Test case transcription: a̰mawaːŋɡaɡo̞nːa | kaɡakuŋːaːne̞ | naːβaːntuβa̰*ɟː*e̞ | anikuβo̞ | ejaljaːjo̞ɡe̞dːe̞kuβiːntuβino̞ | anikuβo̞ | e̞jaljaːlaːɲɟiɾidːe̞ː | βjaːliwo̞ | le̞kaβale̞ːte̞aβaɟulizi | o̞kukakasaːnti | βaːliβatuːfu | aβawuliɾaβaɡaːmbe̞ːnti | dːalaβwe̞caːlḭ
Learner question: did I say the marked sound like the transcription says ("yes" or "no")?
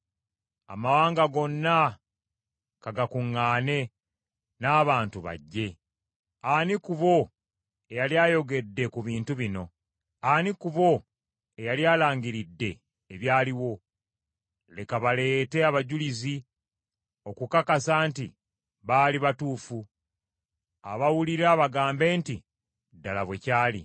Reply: yes